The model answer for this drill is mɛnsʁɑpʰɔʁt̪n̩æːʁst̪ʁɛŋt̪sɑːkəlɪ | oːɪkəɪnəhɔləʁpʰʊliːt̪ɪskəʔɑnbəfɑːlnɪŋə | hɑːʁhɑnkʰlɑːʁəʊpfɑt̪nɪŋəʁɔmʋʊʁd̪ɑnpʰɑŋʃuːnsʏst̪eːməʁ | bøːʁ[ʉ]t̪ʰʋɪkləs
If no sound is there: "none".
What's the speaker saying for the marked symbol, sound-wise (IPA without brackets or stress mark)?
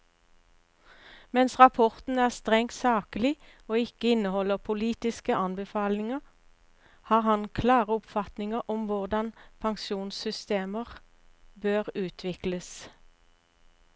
ʉː